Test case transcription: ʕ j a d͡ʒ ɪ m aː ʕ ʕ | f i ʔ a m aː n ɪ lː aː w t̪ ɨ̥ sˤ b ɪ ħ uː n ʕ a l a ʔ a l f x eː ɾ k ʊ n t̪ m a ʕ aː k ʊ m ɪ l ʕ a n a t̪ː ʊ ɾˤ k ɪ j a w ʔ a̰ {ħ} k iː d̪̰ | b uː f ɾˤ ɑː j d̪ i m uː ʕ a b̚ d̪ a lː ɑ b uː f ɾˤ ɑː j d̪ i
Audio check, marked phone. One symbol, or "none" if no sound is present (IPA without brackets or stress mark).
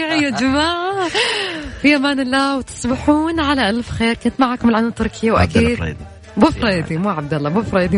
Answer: none